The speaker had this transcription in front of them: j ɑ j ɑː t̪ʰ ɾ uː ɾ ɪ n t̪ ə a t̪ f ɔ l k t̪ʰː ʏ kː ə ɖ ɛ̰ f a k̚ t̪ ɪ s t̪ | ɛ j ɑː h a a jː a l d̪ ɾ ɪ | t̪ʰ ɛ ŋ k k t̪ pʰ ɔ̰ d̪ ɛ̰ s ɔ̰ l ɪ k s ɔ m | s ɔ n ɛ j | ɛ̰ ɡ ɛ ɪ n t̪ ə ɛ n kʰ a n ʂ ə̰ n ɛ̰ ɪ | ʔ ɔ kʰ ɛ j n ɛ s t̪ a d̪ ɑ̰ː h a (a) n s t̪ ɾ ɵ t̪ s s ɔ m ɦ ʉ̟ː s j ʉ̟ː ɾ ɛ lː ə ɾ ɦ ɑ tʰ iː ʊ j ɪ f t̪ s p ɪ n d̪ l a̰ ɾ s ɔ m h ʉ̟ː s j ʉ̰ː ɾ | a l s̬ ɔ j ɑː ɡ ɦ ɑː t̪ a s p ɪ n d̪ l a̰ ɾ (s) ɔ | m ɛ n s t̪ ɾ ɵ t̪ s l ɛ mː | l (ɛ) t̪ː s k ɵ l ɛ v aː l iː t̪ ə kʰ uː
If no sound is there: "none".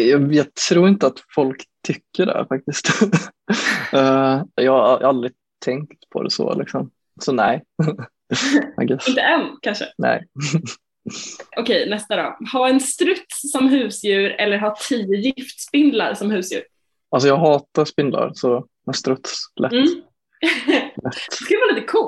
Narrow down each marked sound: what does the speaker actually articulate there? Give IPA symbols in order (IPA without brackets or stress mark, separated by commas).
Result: ɛ, s, ɛ